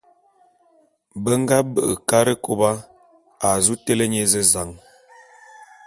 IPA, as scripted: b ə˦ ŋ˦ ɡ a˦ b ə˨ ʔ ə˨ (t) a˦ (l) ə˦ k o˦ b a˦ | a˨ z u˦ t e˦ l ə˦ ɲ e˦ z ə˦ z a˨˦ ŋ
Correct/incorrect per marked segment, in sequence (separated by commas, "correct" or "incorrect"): incorrect, incorrect